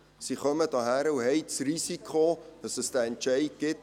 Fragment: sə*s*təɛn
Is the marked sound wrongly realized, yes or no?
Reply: no